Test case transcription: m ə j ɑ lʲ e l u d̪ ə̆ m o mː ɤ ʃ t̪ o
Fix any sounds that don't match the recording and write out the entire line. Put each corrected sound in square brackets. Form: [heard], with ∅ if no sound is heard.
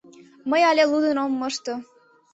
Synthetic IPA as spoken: m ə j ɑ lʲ e l u d̪ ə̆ [n] o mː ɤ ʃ t̪ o